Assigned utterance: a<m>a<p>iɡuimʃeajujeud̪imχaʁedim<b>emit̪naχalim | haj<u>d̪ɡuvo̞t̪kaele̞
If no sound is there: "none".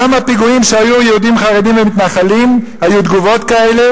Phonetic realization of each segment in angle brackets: m, p, v, u

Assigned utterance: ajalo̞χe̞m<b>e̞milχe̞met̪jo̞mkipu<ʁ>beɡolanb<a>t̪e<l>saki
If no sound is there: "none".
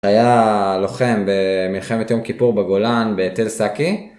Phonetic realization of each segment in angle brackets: b, ʁ, e, l

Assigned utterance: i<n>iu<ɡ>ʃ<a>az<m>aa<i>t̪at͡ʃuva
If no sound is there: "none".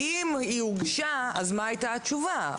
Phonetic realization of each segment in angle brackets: m, ɡ, a, m, j

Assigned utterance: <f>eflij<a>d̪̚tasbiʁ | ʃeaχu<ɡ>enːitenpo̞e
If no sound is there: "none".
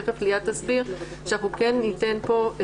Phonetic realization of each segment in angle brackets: f, a, k

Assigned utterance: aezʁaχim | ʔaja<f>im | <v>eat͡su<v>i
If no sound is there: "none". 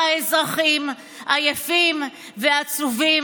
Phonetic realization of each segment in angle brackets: f, v, v

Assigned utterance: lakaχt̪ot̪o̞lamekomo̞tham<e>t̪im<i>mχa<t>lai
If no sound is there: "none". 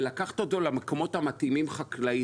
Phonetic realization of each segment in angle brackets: a, i, k

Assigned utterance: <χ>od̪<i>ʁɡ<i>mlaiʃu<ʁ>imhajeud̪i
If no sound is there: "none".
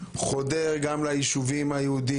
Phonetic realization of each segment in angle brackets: χ, e, a, v

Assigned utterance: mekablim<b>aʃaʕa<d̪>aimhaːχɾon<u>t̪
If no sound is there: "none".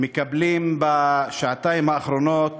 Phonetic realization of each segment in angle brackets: b, t̪, o

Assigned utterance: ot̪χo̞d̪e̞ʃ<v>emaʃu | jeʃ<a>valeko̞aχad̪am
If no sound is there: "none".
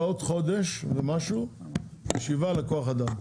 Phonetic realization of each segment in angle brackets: v, i

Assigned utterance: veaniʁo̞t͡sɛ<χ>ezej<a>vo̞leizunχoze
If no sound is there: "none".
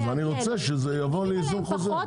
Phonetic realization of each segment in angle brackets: ʃ, a

